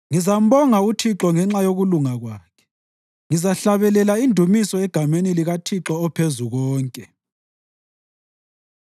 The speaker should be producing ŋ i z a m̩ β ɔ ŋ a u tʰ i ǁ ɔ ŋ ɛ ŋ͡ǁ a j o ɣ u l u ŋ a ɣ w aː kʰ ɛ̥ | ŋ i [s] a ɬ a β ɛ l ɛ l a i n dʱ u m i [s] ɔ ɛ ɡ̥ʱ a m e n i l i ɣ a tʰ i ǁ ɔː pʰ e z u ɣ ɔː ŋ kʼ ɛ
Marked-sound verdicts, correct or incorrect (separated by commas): incorrect, correct